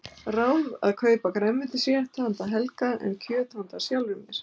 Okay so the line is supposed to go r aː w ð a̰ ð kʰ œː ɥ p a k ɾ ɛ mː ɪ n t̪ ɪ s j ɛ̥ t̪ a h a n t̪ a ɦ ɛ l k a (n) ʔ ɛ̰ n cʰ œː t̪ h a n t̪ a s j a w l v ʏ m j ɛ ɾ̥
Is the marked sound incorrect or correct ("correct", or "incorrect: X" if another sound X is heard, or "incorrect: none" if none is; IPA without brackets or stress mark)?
incorrect: none